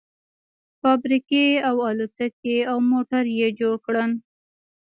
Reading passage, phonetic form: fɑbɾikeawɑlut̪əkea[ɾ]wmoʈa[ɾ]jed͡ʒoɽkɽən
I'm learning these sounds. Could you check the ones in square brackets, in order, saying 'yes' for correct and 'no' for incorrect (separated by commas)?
no, yes